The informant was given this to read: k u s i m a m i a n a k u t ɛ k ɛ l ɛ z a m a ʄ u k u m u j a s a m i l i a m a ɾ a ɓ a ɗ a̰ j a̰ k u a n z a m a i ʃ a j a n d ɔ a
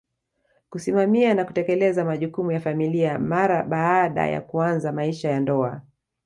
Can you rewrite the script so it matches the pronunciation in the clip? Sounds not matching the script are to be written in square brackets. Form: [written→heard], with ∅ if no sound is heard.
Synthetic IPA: k u s i m a m i a n a k u t ɛ k ɛ l ɛ z a m a ʄ u k u m u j a [s→f] a m i l i a m a ɾ a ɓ a ɗ a̰ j a̰ k u a n z a m a i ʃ a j a n d ɔ a